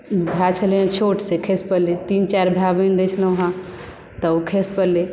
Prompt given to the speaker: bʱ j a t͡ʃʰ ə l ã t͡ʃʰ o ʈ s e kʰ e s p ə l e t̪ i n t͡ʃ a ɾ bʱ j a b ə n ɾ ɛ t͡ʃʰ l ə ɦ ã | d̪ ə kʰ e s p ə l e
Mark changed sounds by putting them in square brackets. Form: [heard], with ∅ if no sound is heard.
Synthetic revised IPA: bʱ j a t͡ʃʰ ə l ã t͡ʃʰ o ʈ s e kʰ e s p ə l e t̪ i n t͡ʃ a ɾ bʱ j a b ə n ɾ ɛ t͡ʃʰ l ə ɦ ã | [t̪] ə kʰ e s p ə l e

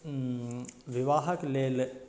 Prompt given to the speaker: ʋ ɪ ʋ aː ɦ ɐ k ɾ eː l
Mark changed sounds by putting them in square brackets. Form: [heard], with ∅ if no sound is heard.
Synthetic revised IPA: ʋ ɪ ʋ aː ɦ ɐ k [l] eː l

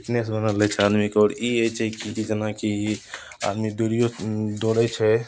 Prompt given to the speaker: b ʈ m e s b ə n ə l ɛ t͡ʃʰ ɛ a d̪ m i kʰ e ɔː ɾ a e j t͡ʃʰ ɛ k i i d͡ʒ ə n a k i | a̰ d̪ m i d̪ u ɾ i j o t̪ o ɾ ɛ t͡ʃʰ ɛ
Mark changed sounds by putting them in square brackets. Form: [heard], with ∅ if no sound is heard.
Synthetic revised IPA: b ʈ [n] e s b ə n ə l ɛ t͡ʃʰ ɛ a d̪ m i [k] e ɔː ɾ [i] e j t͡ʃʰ ɛ k i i d͡ʒ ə n a k i | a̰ d̪ m i d̪ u ɾ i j o [d̪] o ɾ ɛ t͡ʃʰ ɛ

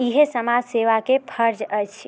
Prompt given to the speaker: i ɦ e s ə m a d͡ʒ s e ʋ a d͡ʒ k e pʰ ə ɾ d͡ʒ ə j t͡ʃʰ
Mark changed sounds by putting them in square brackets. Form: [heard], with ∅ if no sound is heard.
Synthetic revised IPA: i ɦ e s ə m a d͡ʒ s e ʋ a [∅] k e pʰ ə ɾ d͡ʒ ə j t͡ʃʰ

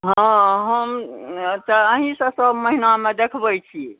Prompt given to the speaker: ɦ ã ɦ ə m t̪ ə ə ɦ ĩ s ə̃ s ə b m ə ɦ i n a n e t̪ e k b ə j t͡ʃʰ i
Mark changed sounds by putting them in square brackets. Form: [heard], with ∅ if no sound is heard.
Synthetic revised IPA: ɦ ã ɦ ə m t̪ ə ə ɦ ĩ s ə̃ s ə b m ə ɦ i n a [m] e [d̪] e [kʰ] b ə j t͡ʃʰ i

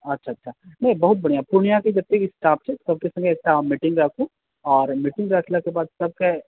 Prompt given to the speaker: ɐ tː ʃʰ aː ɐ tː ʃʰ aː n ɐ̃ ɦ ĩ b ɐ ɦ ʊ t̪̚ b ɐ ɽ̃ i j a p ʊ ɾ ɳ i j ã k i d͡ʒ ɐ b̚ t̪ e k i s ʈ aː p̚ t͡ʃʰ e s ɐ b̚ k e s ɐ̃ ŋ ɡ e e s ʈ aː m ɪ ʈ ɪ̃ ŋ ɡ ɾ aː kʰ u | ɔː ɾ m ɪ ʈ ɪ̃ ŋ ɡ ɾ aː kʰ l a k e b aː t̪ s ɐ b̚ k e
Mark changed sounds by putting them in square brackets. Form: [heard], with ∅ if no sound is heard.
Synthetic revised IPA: ɐ tː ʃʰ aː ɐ tː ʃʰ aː n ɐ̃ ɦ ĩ b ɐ ɦ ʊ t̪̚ b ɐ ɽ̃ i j a p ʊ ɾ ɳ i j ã k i d͡ʒ ɐ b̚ t̪ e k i s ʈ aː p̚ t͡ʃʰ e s ɐ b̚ k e s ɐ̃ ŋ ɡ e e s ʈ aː m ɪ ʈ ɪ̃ ŋ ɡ ɾ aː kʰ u | ɔː ɾ m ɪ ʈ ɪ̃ ŋ ɡ ɾ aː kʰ l a k e b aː [d̪] s ɐ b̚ k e

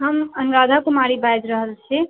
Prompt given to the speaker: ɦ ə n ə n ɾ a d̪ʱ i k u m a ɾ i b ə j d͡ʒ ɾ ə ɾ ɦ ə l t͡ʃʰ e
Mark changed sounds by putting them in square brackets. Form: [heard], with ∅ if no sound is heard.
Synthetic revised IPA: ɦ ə [m] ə n ɾ a d̪ʱ [a] k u m a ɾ i b [a] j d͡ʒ ɾ ə [∅] ɦ ə l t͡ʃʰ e

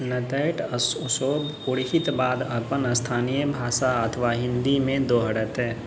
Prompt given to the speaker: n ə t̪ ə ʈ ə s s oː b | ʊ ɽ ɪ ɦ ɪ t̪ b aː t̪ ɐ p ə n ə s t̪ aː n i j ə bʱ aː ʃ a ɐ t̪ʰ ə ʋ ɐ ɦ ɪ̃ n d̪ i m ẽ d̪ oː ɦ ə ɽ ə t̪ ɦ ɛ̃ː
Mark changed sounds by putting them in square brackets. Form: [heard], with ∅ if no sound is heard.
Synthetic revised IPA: n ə t̪ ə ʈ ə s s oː b | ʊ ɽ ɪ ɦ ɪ t̪ b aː [d̪] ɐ p ə n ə s [t̪ʰ] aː n i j ə bʱ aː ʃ a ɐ t̪ʰ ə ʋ [a] ɦ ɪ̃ n d̪ i m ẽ d̪ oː ɦ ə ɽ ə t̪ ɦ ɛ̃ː

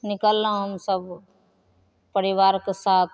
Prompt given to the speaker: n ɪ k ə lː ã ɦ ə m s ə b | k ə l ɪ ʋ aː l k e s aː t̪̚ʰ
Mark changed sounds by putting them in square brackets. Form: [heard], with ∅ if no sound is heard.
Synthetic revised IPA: n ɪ k ə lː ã ɦ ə m s ə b | [p] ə [ɾ] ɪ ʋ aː [ɾ] k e s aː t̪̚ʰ

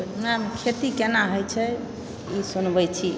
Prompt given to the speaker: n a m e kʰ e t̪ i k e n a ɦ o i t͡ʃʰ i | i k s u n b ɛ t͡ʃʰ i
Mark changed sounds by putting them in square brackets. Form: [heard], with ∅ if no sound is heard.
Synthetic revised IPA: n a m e kʰ e t̪ i k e n a ɦ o [j] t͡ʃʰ [ɛ] | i [∅] s u n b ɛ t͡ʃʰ i

